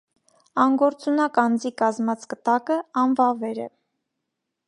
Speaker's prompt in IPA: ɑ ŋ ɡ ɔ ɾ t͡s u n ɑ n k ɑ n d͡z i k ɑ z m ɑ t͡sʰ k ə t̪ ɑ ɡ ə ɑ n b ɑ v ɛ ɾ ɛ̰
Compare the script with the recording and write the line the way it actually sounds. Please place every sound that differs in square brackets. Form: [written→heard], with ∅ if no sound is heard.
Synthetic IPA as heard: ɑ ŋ ɡ ɔ ɾ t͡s u n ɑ [n→∅] k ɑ n d͡z i k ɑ z m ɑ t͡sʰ k ə t̪ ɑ [ɡ→k] ə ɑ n [b→v] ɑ v ɛ ɾ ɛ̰

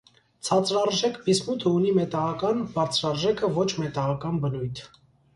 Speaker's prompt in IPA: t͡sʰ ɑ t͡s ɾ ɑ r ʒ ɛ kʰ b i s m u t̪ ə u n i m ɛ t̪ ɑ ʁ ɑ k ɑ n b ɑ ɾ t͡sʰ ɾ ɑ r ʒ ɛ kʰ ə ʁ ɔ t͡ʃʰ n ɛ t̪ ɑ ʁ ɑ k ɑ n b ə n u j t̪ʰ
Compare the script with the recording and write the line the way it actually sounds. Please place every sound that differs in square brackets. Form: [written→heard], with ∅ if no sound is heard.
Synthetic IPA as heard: t͡sʰ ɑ t͡s ɾ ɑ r ʒ ɛ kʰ b i s m u [t̪→t̪ʰ] ə u n i m ɛ t̪ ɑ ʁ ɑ k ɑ n b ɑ ɾ t͡sʰ ɾ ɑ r ʒ ɛ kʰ ə [ʁ→v] ɔ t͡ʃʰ [n→m] ɛ t̪ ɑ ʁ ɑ k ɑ n b ə n u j t̪ʰ

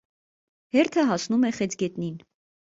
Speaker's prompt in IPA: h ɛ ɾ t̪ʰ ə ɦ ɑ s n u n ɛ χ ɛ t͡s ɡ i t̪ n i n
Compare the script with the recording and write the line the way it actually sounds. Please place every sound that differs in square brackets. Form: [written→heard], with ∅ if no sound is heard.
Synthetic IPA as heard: h ɛ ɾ t̪ʰ ə ɦ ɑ s n u [n→m] ɛ χ ɛ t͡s ɡ [i→ɛ] t̪ n i n

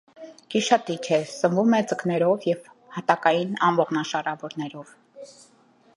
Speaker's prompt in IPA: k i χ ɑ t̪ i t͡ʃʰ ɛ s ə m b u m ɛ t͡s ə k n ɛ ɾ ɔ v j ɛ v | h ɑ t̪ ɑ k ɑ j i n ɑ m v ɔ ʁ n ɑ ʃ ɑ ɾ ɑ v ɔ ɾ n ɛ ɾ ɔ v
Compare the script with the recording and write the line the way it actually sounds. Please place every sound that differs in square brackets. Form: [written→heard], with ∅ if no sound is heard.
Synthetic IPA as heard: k i [χ→ʃ] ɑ t̪ i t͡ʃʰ ɛ s ə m [b→v] u m ɛ t͡s ə k n ɛ ɾ ɔ v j ɛ v | h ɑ t̪ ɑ k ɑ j i n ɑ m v ɔ ʁ n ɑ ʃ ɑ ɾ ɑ v ɔ ɾ n ɛ ɾ ɔ v

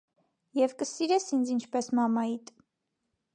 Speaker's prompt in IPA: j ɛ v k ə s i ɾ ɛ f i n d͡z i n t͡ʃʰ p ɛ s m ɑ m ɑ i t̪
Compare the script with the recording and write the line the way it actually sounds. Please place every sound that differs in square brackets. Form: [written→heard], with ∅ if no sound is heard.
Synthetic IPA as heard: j ɛ v k ə s i ɾ ɛ [f→s] i n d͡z i n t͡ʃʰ p ɛ s m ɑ m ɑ i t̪

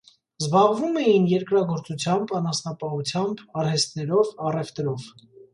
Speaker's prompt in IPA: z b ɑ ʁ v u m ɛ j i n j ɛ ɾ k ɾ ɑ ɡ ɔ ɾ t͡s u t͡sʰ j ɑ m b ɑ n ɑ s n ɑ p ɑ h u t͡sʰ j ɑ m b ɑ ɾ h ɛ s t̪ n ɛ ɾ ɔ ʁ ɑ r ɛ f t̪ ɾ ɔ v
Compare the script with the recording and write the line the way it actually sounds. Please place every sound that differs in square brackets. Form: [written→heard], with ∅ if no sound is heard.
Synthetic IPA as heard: z b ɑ ʁ v u m ɛ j i n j ɛ ɾ k ɾ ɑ ɡ ɔ ɾ t͡s u t͡sʰ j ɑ m b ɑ n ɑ s n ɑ p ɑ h u t͡sʰ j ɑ m b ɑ ɾ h ɛ s t̪ n ɛ ɾ ɔ [ʁ→v] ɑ r ɛ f t̪ ɾ ɔ v

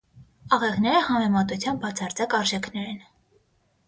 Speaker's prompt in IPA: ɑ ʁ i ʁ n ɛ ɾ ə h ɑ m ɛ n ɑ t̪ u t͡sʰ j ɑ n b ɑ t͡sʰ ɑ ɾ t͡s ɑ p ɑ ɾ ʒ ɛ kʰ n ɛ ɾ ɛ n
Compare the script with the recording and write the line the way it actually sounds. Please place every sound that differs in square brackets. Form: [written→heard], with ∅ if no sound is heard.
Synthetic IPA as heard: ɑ ʁ [i→ɛ] ʁ n ɛ ɾ ə h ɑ m ɛ [n→m] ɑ t̪ u t͡sʰ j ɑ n b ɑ t͡sʰ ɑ ɾ t͡s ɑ [p→k] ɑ ɾ ʒ ɛ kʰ n ɛ ɾ ɛ n

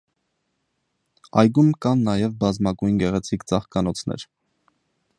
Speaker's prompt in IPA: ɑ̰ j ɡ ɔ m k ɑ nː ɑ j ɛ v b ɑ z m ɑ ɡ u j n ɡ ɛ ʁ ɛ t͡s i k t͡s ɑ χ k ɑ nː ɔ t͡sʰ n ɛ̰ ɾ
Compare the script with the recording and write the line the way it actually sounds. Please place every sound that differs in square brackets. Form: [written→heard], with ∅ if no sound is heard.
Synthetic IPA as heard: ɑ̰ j ɡ [ɔ→u] m k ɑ nː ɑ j ɛ v b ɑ z m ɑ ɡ u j n ɡ ɛ ʁ ɛ [t͡s→t͡sʰ] i k t͡s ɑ χ k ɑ [nː→n] ɔ t͡sʰ n ɛ̰ ɾ

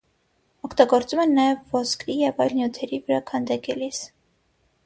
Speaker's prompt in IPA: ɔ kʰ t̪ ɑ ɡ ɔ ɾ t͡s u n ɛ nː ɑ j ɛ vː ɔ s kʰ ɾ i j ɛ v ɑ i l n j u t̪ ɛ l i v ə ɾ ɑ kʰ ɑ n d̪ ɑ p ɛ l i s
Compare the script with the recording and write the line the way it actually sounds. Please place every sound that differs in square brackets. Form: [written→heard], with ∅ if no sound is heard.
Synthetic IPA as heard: ɔ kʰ t̪ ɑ ɡ ɔ ɾ t͡s u [n→m] ɛ nː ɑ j ɛ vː ɔ s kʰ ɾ i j ɛ v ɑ [i→j] l n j u [t̪→t̪ʰ] ɛ [l→ɾ] i v ə ɾ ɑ kʰ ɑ n d̪ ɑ [p→k] ɛ l i s

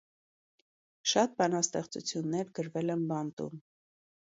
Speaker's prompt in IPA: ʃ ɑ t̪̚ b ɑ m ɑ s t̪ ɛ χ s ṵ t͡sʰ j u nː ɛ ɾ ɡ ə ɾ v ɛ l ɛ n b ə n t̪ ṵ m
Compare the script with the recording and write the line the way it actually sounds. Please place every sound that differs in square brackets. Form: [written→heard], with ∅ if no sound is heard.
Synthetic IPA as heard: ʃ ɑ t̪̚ b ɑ [m→n] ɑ s t̪ ɛ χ [s→t͡s] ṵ t͡sʰ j u nː ɛ ɾ ɡ ə ɾ v ɛ l ɛ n b [ə→ɑ] n t̪ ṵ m

